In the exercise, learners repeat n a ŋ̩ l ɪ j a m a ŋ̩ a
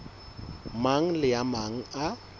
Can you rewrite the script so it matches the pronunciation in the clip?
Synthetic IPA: m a ŋ̩ l ɪ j a m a ŋ̩ a